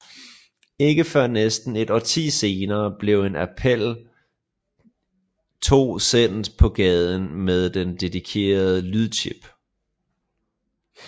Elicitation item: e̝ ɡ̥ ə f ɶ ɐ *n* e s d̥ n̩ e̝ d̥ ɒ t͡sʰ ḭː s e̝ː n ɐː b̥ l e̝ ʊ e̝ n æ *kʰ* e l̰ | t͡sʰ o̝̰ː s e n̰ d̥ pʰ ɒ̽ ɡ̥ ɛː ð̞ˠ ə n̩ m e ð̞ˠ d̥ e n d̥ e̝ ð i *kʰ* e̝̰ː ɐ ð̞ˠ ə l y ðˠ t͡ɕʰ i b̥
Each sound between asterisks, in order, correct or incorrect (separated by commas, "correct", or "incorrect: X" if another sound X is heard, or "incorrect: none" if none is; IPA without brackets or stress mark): correct, incorrect: pʰ, correct